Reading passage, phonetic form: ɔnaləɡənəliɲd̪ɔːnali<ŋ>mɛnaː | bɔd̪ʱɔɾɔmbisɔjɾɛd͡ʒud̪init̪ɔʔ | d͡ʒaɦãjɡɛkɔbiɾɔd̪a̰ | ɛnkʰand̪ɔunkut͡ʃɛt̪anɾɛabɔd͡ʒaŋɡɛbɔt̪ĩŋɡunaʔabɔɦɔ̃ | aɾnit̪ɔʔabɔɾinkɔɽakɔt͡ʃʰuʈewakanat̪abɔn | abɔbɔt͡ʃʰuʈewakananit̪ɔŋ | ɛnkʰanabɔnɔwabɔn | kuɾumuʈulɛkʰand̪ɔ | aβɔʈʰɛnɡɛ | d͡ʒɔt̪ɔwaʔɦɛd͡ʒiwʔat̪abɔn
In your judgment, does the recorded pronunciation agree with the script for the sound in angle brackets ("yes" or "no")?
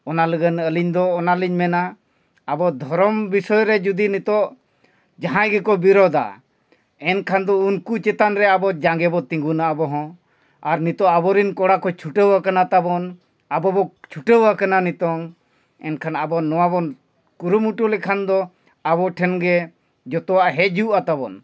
no